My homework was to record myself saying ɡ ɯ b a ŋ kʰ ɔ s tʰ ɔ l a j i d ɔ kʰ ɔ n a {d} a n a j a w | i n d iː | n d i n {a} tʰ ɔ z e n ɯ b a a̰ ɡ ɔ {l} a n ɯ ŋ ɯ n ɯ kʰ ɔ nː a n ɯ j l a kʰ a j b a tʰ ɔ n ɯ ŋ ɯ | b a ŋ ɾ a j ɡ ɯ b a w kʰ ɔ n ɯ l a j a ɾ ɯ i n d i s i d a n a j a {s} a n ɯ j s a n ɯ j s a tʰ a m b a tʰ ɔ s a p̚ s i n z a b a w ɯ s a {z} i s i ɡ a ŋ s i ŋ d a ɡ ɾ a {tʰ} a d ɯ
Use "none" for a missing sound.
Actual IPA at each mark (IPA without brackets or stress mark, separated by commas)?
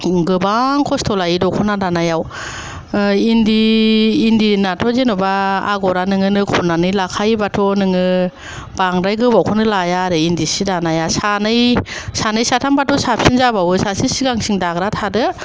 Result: d, a, ɾ, s, s, tʰ